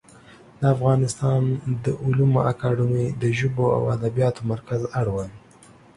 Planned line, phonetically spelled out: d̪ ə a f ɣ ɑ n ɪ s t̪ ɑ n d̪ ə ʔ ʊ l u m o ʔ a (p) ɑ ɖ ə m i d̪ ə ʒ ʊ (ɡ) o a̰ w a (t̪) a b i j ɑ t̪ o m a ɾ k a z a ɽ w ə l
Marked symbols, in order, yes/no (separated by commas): no, no, no